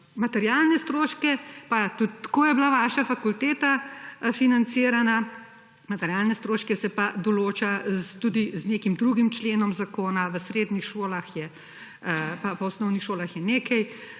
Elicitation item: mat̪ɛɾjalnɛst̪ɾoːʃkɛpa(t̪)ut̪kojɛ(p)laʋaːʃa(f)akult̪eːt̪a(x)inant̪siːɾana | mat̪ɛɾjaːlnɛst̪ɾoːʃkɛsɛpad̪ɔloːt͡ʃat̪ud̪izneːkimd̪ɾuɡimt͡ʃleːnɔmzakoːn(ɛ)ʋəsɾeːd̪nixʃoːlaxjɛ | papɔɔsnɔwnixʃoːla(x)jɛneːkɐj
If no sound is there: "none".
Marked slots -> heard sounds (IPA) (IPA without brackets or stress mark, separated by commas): t̪, b, f, f, a, x